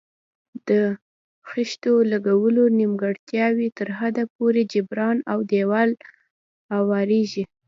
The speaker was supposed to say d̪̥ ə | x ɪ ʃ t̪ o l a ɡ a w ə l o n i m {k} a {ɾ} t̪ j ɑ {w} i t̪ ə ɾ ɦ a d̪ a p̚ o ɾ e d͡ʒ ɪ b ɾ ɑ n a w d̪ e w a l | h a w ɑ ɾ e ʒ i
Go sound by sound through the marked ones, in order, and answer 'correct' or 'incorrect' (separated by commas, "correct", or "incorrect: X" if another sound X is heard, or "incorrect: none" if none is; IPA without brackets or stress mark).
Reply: incorrect: ɡ, incorrect: ɽ, correct